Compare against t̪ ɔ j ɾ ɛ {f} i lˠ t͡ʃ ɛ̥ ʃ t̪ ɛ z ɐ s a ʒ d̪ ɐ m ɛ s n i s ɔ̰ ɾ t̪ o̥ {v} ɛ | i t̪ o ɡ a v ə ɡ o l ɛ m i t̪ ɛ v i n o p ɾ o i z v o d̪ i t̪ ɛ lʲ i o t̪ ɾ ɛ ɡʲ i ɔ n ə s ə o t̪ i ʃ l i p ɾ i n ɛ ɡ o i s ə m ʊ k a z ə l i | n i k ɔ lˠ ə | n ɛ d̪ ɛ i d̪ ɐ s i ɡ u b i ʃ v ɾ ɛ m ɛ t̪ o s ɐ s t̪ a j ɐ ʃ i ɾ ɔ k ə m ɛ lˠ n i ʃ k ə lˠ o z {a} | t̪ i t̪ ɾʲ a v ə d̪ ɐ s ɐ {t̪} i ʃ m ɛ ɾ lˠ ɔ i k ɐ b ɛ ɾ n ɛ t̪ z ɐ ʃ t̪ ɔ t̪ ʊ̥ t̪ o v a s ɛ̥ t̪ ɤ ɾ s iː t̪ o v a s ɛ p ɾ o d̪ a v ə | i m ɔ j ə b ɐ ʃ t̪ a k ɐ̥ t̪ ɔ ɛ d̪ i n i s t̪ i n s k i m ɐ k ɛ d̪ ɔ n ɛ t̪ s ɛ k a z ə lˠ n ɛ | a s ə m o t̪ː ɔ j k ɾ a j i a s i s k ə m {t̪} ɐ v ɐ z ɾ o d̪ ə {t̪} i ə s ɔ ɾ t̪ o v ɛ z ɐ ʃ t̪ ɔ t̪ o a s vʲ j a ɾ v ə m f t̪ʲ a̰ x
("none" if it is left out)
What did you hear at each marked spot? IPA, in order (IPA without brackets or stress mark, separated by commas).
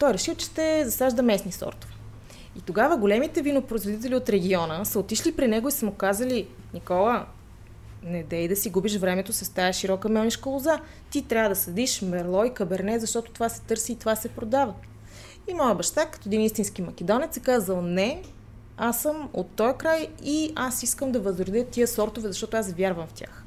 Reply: ʃ, v, a, d̪, d̪, t̪